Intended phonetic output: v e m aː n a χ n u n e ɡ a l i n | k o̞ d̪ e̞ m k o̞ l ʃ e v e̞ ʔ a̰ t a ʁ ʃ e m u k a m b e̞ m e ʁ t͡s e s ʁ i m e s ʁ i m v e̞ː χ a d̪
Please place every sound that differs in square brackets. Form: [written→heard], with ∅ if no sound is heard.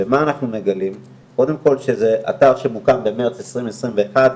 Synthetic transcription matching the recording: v e m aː n a χ n u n e ɡ a l i [n→m] | k o̞ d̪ e̞ m k o̞ l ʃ e [v→z] e̞ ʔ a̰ t a ʁ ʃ e m u k a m b e̞ m e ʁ t͡s e s ʁ i m e s ʁ i m v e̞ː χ a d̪